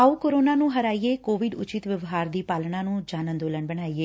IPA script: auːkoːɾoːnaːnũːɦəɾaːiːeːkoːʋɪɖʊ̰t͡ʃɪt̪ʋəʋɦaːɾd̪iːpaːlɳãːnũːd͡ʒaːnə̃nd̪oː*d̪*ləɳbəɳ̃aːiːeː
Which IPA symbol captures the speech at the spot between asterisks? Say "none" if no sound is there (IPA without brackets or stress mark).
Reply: none